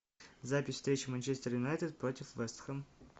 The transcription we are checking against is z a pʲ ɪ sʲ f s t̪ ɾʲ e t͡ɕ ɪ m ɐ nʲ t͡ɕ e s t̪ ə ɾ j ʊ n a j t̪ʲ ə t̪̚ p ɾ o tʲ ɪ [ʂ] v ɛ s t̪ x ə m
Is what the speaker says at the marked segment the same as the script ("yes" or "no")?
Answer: no